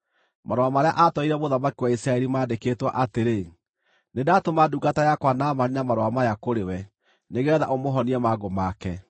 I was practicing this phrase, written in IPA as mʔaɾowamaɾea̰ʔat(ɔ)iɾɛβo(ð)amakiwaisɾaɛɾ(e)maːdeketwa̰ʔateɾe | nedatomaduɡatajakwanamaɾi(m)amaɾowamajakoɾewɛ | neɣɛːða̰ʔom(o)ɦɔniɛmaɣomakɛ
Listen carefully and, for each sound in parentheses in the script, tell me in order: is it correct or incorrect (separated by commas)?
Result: correct, correct, incorrect, incorrect, correct